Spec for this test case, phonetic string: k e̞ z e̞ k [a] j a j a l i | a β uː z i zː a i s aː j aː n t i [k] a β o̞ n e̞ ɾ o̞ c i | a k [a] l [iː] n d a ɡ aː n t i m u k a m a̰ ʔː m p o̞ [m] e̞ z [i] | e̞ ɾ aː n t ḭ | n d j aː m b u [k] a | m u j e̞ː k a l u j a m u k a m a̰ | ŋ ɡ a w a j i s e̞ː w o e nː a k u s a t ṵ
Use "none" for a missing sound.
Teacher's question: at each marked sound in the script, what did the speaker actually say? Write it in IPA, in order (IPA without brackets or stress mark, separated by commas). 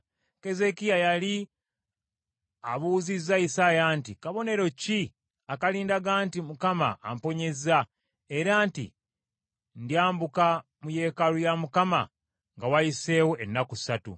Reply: i, k, a, iː, ɲ, a, k